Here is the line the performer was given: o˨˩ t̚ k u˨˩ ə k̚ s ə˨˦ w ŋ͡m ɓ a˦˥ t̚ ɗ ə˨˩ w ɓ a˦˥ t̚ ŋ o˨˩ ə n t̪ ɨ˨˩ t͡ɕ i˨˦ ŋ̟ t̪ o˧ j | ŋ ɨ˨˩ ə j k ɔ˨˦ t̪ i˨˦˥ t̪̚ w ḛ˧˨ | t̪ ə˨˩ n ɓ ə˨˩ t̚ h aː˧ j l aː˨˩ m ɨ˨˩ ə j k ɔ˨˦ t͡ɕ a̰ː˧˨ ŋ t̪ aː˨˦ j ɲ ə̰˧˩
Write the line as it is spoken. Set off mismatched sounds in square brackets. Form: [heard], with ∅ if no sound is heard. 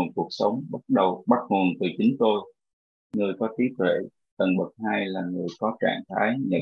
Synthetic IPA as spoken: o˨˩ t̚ k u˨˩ ə k̚ s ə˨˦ w ŋ͡m ɓ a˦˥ t̚ ɗ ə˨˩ w ɓ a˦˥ t̚ ŋ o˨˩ ə n t̪ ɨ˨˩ t͡ɕ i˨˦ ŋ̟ t̪ o˧ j | ŋ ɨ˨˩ ə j k ɔ˨˦ t̪ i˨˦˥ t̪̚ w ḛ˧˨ | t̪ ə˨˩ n ɓ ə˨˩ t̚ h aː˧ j l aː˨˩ [ŋ] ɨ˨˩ ə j k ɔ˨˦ t͡ɕ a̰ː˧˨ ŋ [t̪ʰ] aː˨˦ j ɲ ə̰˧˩